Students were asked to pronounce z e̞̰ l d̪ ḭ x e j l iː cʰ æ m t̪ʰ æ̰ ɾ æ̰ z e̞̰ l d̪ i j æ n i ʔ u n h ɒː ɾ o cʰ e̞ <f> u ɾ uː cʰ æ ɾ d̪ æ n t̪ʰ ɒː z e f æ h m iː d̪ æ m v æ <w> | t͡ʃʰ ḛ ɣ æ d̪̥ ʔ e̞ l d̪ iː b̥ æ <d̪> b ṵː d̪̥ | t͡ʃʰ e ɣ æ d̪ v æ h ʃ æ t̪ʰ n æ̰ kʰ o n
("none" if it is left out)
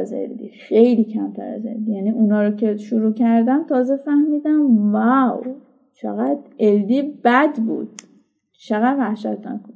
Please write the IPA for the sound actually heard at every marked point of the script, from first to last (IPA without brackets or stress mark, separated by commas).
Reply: ʃ, w, d̪